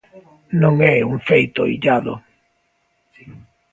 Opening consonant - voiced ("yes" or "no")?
yes